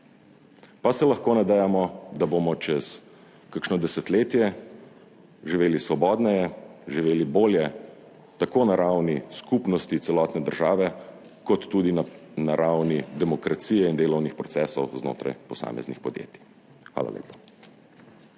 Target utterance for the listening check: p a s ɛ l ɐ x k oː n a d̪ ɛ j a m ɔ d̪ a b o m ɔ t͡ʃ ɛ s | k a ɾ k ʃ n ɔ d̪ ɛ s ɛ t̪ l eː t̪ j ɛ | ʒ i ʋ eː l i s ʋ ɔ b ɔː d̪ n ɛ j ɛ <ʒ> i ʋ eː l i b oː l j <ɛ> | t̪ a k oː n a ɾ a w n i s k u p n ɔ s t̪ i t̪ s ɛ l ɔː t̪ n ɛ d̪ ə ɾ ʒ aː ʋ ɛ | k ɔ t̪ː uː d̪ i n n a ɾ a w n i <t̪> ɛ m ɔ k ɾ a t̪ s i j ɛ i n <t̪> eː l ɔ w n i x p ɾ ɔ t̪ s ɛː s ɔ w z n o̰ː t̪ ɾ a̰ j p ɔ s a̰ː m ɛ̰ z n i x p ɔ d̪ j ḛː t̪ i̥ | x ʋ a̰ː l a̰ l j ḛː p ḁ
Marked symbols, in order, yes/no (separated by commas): yes, yes, no, no